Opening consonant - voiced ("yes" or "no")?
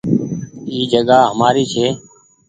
yes